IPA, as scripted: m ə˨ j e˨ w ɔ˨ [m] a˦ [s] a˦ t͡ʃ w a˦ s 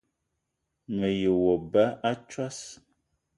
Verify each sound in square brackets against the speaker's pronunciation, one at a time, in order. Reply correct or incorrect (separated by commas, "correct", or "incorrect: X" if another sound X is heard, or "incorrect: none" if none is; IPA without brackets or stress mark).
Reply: incorrect: b, incorrect: none